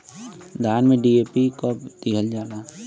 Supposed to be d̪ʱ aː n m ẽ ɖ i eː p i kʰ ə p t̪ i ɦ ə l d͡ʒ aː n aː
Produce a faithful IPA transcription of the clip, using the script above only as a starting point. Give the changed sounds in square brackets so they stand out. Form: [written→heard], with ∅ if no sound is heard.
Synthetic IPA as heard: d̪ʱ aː n m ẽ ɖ i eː p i [kʰ→k] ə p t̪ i ɦ ə l d͡ʒ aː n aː